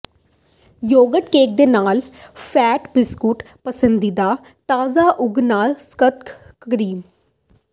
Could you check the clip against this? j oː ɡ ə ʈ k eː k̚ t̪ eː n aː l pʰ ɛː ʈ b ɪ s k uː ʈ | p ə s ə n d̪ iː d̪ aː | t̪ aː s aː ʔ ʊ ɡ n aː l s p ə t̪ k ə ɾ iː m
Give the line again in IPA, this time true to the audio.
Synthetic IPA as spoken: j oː ɡ ə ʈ k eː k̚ d̪ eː n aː l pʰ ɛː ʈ b ɪ s k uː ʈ | p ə s ə n d̪ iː d̪ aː | t̪ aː z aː ʔ ʊ ɡ n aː l s k ə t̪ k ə ɾ iː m